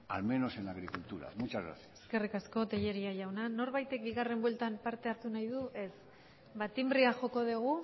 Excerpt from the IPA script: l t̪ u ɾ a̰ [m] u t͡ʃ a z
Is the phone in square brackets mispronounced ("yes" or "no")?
no